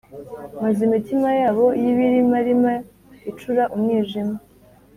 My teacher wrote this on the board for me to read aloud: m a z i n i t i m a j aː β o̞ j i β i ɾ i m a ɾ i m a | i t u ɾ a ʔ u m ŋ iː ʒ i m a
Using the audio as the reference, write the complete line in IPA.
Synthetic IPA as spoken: m a z i m i t i m a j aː β o̞ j i β i ɾ i m a ɾ i m a | i t͡ʃ u ɾ a ʔ u m ŋ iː ʒ i m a